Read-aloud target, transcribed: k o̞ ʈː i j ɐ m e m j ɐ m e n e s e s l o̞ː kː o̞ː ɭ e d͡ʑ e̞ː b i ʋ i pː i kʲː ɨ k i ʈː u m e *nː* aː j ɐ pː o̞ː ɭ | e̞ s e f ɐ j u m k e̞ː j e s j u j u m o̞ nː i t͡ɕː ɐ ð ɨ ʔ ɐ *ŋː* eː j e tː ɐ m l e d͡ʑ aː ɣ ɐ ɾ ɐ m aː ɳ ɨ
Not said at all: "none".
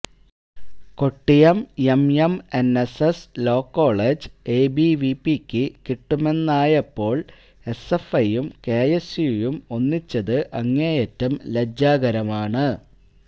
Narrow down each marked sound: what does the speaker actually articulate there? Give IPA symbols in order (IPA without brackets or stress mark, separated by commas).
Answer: nː, ŋː